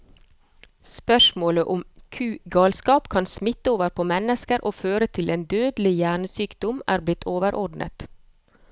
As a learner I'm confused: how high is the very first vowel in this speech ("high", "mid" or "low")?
mid